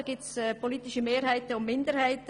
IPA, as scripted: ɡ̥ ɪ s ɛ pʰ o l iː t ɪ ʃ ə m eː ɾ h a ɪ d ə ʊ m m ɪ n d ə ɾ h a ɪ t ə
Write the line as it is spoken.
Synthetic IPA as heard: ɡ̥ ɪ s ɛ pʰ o l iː t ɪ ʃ ə m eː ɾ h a ɪ t ə ʊ m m ɪ n d ə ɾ h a ɪ t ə